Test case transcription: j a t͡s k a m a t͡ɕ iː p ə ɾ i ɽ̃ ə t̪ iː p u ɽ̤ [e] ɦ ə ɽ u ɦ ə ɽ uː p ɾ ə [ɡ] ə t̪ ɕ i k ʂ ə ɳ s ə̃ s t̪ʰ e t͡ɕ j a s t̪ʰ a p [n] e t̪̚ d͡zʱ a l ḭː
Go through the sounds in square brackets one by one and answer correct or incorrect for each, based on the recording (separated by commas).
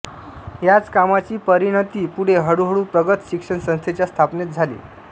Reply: correct, correct, correct